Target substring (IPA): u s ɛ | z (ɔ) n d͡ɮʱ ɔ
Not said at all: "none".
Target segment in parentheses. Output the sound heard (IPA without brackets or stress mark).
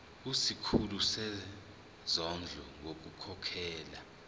ɔ